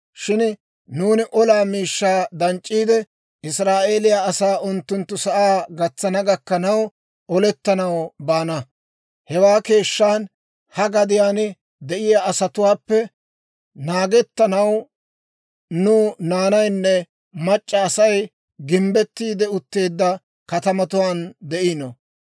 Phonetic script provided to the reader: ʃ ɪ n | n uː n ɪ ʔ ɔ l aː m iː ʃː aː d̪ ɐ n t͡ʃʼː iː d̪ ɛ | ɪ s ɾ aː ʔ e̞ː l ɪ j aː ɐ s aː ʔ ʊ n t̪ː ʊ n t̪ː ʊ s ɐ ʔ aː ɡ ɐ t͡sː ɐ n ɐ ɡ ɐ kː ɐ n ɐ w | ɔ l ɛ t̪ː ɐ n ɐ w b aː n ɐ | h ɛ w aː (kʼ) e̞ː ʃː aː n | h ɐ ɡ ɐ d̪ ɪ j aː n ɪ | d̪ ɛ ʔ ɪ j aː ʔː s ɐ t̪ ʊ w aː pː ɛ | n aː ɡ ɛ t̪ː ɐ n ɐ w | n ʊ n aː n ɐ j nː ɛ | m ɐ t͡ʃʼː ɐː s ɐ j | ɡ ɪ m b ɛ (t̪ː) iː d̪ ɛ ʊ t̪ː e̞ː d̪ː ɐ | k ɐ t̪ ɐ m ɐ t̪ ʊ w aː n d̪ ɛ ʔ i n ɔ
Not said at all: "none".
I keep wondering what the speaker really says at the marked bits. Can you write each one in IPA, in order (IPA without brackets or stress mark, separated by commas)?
k, t̪ː